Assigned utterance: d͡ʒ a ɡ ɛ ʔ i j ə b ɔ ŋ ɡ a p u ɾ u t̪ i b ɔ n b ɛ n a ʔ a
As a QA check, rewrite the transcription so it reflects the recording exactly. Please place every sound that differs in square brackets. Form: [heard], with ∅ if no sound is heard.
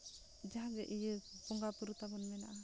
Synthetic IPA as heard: d͡ʒ a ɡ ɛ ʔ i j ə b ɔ ŋ ɡ a p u ɾ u t̪ [a] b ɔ n [m] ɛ n a ʔ a

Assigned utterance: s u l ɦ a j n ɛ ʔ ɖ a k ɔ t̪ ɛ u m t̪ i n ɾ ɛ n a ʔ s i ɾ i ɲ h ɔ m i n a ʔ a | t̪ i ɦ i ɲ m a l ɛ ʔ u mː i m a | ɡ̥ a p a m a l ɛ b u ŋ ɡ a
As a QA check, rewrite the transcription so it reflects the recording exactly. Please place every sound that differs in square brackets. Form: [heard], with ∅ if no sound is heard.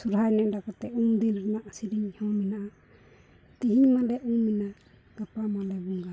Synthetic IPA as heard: s u [ɾ] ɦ a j n ɛ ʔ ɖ a k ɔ t̪ ɛ u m [d̪] i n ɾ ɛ n a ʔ s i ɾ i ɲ h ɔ m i n a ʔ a | t̪ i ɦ i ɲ m a l ɛ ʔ u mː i [n] a | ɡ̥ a p a m a l ɛ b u ŋ ɡ a

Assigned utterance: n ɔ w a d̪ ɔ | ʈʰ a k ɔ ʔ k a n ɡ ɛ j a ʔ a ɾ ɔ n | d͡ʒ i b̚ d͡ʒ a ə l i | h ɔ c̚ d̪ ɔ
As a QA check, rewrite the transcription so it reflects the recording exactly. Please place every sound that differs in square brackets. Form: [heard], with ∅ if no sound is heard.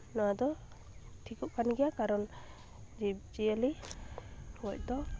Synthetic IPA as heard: n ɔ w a d̪ ɔ | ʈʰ [i] k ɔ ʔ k a n ɡ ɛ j a [k] a ɾ ɔ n | d͡ʒ i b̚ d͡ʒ [i] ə l i | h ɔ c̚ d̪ ɔ

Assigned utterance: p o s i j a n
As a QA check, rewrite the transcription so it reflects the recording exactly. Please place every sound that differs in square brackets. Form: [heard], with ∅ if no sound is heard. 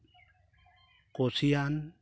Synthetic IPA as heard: [k] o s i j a n

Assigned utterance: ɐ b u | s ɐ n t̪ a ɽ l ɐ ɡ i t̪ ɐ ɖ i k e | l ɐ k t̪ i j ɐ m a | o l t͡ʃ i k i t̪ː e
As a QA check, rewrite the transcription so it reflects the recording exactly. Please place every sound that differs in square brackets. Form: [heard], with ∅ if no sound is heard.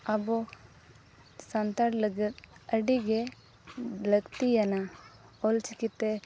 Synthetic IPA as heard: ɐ b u | s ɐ n t̪ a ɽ l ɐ ɡ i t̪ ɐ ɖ i [ɡ] e | l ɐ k t̪ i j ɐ [n] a | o l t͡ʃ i k i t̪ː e

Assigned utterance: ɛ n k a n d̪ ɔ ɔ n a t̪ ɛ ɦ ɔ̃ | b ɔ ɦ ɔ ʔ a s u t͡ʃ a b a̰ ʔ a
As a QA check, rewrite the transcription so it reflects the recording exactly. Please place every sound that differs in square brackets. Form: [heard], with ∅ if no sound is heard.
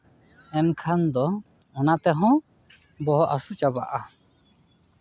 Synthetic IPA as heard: ɛ n [kʰ] a n d̪ ɔ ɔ n a t̪ ɛ ɦ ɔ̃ | b ɔ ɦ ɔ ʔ a s u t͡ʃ a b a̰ ʔ a

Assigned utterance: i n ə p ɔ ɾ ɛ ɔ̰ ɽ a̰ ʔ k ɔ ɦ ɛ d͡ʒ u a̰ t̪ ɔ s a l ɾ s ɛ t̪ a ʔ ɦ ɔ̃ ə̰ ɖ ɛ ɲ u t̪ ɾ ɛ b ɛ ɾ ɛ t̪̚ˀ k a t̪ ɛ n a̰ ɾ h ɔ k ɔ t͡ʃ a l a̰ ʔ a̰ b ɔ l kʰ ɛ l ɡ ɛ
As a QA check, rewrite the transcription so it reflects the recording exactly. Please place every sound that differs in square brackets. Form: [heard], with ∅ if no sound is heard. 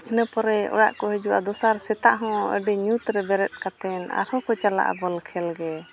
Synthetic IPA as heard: i n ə p ɔ ɾ ɛ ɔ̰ ɽ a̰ ʔ k ɔ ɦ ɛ d͡ʒ u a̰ [d̪] ɔ s a [∅] ɾ s ɛ t̪ a ʔ ɦ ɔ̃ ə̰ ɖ ɛ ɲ u t̪ ɾ ɛ b ɛ ɾ ɛ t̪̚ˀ k a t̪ ɛ n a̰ ɾ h ɔ k ɔ t͡ʃ a l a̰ ʔ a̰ b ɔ l kʰ ɛ l ɡ ɛ

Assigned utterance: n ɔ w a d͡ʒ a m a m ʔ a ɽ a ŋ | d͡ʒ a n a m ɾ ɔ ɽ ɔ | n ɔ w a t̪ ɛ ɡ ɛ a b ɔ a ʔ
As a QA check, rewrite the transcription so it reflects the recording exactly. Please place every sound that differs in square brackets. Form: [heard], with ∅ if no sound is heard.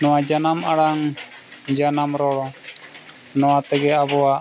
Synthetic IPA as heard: n ɔ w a d͡ʒ a [n] a m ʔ a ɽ a ŋ | d͡ʒ a n a m ɾ ɔ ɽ ɔ | n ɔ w a t̪ ɛ ɡ ɛ a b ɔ a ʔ

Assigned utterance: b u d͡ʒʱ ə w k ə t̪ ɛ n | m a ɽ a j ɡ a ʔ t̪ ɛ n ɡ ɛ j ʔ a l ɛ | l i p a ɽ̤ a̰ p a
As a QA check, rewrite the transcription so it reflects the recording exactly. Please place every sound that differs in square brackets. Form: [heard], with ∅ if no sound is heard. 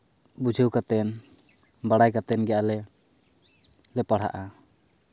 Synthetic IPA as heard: b u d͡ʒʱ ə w k [a] t̪ ɛ n | [b] a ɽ a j [k] a [∅] t̪ ɛ n ɡ ɛ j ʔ a l ɛ | l [ɛ] p a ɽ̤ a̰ [ʔ] a

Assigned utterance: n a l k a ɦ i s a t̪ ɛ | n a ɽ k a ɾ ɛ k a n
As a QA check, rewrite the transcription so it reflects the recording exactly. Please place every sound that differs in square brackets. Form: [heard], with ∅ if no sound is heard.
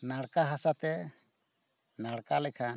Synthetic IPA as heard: n a [ɽ] k a ɦ [a] s a t̪ ɛ | n a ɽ k a [l] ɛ [kʰ] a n

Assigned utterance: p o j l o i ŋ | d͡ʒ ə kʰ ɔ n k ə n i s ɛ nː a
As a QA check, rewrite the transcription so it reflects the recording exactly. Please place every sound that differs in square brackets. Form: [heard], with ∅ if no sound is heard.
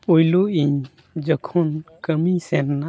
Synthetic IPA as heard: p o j l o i [ɲ] | d͡ʒ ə kʰ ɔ n k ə [m] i s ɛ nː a

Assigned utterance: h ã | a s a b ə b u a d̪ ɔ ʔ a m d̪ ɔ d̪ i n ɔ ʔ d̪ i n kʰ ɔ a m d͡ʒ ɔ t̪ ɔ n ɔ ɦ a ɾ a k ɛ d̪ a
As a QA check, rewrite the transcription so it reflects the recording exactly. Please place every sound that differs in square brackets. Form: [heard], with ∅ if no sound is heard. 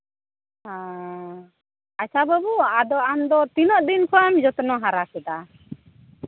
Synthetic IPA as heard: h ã | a s a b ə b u a d̪ ɔ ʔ a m d̪ ɔ [t̪] i n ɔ ʔ d̪ i n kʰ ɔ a m d͡ʒ ɔ t̪ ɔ n ɔ ɦ a ɾ a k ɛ d̪ a

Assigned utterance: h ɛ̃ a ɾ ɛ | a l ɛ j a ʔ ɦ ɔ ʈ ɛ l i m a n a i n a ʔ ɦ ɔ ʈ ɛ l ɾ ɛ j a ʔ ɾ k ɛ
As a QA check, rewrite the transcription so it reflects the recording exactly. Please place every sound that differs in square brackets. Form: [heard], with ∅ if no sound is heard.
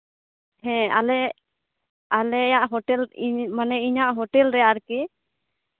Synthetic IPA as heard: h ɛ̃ a [l] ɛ | a l ɛ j a ʔ ɦ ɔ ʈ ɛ l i m a n [ɛ] i [ɲ] a ʔ ɦ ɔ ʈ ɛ l ɾ ɛ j a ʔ ɾ k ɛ

